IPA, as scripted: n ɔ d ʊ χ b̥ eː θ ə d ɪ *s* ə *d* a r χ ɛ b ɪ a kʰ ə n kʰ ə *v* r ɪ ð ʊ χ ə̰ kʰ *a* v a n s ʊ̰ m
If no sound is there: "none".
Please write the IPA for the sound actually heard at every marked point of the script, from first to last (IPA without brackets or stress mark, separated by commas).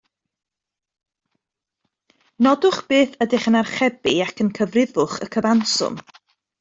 χ, n, v, ə